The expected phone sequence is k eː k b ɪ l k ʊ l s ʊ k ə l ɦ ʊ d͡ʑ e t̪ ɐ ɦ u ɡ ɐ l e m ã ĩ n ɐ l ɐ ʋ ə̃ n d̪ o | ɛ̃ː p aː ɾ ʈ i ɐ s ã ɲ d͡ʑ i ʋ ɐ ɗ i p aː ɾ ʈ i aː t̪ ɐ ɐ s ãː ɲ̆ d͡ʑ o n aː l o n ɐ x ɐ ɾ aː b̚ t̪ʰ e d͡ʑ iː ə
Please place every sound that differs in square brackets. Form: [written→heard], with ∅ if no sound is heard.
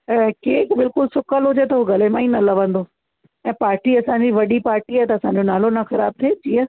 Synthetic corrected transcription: k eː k b ɪ l k ʊ l s ʊ k ə l ɦ ʊ d͡ʑ e t̪ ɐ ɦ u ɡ ɐ l e m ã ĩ n ɐ l ɐ ʋ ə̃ n d̪ o | ɛ̃ː p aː ɾ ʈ i ɐ s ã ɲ d͡ʑ i ʋ ɐ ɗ i p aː ɾ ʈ i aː t̪ ɐ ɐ s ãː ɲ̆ d͡ʑ o n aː l o n ɐ x ɐ ɾ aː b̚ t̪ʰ e d͡ʑ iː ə